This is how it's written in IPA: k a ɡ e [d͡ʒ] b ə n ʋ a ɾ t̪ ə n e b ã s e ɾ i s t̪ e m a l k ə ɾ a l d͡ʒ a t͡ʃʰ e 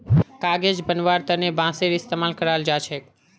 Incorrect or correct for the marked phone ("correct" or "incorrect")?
correct